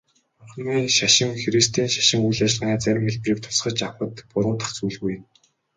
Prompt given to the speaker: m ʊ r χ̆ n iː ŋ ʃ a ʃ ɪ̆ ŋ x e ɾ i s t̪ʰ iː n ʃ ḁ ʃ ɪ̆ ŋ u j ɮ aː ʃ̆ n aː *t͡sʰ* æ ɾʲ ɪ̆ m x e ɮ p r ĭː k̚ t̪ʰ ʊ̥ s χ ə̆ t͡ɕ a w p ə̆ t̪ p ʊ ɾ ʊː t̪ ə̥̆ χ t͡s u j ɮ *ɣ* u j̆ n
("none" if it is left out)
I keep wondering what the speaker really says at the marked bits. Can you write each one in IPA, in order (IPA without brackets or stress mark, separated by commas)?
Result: t͡s, ɣ